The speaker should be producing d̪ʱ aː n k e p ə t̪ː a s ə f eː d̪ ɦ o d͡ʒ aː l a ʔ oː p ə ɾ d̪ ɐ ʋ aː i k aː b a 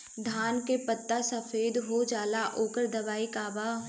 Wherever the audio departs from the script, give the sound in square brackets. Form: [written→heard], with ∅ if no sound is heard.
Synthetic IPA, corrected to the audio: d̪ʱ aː n k e p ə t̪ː a s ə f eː d̪ ɦ o d͡ʒ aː l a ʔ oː [p→k] ə ɾ d̪ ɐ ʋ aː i k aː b a